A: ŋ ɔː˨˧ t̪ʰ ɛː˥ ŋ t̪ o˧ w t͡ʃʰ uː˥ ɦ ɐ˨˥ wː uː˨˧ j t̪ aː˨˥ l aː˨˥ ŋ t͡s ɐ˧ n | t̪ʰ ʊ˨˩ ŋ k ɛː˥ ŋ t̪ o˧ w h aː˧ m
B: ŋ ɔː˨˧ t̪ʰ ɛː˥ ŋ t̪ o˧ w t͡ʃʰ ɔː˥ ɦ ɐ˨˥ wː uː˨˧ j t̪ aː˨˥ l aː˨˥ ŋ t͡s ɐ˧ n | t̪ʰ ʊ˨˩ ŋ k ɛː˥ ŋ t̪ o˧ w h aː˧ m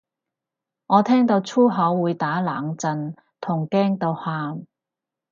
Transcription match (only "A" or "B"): A